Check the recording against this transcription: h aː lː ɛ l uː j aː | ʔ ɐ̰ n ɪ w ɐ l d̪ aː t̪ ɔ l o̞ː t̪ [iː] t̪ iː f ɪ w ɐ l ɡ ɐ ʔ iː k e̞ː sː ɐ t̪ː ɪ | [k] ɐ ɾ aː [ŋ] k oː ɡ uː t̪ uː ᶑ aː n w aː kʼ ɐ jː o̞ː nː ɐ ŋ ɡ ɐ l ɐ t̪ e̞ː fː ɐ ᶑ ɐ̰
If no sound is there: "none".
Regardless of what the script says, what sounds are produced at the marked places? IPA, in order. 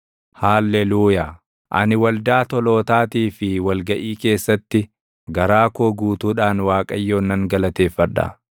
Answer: aː, ɡ, none

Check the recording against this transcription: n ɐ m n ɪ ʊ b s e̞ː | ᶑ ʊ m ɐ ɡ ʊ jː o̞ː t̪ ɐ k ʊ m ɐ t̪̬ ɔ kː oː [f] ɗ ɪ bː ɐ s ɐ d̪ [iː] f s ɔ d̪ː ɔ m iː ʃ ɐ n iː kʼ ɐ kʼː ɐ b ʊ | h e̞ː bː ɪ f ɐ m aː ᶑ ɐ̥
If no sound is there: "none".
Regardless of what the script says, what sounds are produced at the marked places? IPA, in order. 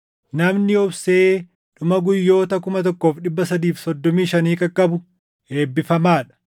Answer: f, iː

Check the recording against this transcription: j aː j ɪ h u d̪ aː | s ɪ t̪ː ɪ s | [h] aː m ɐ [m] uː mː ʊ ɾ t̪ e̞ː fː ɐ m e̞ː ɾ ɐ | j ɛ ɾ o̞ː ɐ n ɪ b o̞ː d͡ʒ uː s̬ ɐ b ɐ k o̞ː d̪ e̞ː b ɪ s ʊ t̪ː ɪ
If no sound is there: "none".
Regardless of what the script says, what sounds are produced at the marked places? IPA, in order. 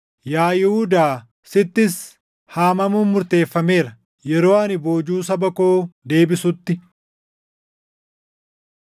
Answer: h, m

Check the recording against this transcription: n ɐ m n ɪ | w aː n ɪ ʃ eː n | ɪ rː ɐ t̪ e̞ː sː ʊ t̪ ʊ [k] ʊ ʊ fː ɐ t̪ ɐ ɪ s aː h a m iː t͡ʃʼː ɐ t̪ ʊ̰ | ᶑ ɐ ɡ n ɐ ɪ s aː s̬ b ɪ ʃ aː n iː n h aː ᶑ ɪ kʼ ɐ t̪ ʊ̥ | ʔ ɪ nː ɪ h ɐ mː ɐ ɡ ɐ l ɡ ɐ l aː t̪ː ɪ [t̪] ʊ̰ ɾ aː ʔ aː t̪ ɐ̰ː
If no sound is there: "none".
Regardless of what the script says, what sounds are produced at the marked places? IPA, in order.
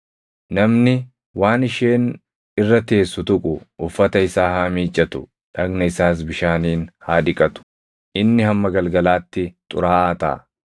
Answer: kʼ, t̪ʼ

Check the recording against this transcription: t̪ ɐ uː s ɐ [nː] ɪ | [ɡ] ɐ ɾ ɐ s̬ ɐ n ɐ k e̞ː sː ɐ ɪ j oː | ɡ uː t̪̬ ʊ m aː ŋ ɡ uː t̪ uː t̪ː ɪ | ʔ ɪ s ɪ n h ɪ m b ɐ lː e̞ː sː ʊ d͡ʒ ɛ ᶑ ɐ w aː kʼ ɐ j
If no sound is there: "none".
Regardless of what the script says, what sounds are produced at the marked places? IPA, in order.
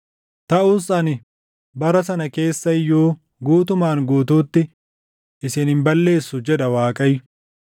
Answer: n, b

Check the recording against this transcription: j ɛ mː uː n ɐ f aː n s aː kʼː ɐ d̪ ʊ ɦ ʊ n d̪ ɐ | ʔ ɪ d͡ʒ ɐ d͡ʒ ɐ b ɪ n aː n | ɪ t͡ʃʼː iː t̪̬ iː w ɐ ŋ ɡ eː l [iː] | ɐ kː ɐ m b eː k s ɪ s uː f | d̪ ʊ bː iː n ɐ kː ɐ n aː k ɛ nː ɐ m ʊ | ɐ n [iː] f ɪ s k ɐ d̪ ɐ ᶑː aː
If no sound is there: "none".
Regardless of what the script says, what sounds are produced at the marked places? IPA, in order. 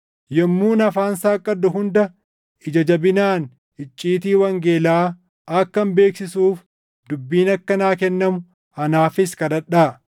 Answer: aː, aː

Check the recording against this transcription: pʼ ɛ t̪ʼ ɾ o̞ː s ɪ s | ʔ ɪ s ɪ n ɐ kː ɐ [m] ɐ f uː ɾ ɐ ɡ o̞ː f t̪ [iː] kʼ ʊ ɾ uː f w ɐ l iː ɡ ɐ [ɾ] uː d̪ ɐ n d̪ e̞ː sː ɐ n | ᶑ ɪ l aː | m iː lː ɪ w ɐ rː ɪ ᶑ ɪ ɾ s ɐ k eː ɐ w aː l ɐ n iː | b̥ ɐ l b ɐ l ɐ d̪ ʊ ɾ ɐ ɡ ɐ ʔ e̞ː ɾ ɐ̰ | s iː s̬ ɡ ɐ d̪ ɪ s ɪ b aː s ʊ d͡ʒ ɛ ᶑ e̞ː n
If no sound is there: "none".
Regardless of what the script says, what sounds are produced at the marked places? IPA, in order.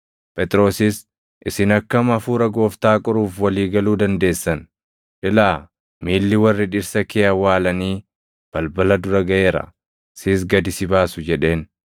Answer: m, aː, l

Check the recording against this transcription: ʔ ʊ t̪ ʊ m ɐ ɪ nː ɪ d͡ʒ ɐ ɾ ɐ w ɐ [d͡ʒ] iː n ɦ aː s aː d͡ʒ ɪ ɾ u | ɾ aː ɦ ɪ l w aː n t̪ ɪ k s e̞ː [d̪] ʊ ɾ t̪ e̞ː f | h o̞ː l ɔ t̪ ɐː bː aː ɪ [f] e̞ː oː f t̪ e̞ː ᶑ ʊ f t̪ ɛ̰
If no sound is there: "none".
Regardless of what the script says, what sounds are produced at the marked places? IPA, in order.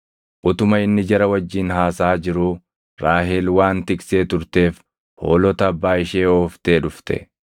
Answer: d͡ʒː, t̪, ʃ

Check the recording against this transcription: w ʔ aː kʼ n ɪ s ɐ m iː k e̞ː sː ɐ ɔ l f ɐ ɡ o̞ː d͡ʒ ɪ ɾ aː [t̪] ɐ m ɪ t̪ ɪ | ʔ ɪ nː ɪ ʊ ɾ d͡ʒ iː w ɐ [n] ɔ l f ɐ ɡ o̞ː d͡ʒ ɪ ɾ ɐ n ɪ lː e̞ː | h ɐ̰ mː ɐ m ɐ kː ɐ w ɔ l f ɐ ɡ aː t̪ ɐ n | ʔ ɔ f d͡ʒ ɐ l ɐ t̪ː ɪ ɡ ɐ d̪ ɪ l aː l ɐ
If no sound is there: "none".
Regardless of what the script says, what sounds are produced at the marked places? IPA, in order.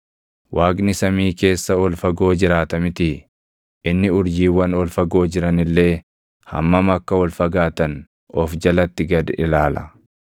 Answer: t̪, n

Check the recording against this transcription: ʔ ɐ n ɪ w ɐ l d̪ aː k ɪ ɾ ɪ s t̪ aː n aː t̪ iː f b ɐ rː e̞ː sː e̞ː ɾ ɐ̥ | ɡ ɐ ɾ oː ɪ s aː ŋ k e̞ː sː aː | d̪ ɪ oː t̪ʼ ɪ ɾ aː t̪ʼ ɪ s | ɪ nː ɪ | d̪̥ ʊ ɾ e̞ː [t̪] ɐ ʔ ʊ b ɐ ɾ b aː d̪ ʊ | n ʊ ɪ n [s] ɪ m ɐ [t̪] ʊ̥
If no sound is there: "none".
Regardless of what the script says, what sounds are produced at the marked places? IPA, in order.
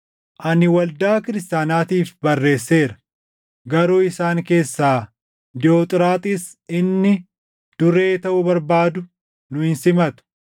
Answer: t̪, s, t̪

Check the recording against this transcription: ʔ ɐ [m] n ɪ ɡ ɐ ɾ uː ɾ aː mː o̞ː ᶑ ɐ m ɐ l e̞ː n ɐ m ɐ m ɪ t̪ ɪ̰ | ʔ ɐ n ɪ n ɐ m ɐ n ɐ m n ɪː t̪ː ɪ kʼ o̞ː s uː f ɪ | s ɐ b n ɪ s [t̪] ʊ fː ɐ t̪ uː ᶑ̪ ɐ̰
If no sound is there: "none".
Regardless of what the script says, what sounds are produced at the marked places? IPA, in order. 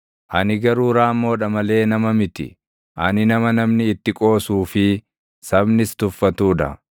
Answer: none, t̪

